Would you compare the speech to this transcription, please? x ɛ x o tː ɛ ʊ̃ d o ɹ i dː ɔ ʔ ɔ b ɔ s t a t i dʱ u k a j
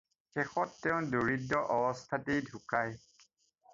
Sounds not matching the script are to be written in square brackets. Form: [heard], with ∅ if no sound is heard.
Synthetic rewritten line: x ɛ x [ɔ] tː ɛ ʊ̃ d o ɹ i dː ɔ ʔ ɔ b ɔ s [tʰ] a t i dʱ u k a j

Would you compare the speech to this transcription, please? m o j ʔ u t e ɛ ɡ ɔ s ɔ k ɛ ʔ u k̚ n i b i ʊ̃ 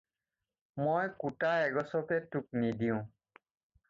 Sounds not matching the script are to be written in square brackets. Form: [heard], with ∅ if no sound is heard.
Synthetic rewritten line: m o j [k] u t [a] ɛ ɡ ɔ s ɔ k ɛ [t] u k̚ n i [d] i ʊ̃

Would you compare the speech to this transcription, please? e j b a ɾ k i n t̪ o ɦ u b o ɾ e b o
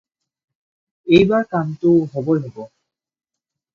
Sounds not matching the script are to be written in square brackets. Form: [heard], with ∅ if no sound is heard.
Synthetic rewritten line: e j b a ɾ k [a] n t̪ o ɦ [ɔ] b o [l] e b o

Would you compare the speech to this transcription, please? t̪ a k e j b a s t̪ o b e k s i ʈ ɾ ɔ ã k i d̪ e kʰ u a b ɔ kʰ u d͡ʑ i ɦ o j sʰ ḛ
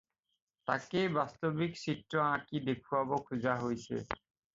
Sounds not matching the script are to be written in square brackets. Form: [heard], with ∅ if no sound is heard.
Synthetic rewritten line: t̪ a k e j b a s t̪ o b [i] k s i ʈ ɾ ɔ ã k i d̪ e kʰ u a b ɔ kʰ u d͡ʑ [a] ɦ o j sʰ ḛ

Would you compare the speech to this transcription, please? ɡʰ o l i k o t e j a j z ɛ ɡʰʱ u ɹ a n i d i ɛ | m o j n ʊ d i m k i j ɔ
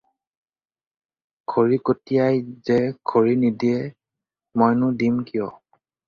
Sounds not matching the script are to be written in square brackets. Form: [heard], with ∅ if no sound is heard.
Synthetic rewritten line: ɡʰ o [ɹ] i k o t [i] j a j z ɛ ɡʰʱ [o] ɹ [i] n i d i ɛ | m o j n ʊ d i m k i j ɔ

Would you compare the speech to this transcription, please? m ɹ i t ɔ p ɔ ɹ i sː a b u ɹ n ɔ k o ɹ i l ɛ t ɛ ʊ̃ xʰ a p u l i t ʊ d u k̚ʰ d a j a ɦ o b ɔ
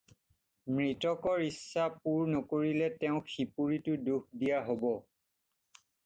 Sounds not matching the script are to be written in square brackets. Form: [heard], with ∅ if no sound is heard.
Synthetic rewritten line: m ɹ i t ɔ [k] ɔ ɹ i sː a [p] u ɹ n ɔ k o ɹ i l ɛ t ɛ ʊ̃ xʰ [i] p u [ɹ] i t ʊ d u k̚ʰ d [i] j a ɦ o b ɔ

